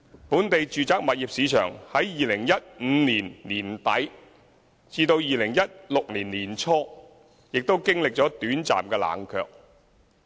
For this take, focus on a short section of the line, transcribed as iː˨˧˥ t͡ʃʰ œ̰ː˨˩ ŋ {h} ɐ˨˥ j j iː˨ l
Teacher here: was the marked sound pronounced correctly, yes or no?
yes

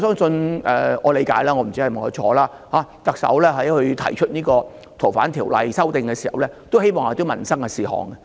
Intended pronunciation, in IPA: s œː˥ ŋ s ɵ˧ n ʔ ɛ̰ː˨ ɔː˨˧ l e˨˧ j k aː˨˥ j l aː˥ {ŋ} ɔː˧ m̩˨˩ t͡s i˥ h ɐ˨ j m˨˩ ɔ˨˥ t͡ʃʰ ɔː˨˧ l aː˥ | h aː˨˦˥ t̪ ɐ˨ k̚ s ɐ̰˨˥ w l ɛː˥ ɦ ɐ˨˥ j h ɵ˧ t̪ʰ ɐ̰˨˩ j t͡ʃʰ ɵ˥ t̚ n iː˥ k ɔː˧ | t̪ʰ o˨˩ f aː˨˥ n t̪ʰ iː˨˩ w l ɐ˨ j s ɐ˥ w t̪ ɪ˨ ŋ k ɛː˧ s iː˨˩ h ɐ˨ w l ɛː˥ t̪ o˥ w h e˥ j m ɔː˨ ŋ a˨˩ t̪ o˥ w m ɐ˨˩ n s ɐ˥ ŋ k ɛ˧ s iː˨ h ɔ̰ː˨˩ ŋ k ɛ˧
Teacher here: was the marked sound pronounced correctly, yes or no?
yes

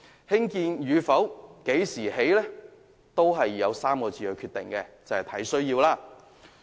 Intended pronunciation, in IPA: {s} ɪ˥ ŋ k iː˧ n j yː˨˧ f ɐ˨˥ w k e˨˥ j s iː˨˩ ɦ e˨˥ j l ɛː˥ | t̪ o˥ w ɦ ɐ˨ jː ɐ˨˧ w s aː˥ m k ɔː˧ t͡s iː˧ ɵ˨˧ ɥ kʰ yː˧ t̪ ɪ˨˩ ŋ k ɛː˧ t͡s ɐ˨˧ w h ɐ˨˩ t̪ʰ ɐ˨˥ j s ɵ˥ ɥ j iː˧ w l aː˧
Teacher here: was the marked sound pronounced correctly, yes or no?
no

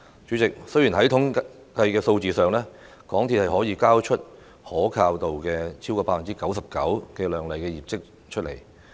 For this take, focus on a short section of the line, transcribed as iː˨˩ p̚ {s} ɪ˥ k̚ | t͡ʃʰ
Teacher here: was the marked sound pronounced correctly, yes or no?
no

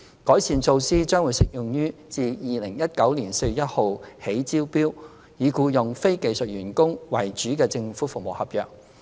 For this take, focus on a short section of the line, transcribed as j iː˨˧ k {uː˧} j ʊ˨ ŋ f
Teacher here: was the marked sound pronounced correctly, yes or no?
yes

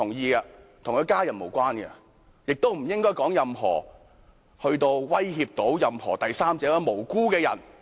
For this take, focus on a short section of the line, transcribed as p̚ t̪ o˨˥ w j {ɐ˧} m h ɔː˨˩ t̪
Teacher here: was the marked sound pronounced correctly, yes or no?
yes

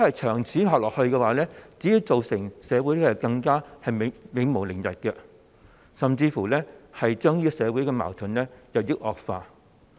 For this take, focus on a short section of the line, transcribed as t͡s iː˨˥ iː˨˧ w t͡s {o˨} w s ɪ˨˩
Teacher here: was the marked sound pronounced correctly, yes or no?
yes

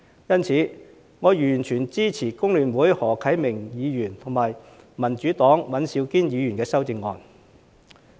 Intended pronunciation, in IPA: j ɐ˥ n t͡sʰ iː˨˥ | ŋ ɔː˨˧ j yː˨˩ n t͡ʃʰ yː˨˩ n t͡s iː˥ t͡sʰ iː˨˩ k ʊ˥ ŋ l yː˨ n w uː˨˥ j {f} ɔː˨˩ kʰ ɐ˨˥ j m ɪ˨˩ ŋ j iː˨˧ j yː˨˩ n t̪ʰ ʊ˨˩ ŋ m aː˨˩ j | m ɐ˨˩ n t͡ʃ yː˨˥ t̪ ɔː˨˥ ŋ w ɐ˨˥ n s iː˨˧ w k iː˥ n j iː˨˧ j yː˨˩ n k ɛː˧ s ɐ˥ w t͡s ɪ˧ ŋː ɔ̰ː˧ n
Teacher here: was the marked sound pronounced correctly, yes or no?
no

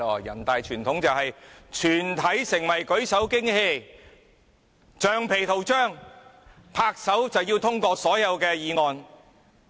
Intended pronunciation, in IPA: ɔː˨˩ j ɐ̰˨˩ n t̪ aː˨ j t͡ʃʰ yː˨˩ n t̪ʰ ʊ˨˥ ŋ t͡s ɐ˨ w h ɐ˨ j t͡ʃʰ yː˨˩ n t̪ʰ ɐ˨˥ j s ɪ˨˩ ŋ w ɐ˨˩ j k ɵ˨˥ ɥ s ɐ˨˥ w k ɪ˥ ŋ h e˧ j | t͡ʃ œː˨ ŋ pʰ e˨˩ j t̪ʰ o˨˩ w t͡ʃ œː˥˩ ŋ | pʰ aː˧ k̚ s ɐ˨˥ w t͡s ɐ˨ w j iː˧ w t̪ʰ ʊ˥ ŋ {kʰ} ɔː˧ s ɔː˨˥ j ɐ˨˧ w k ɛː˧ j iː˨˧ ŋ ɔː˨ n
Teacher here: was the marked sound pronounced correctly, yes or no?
no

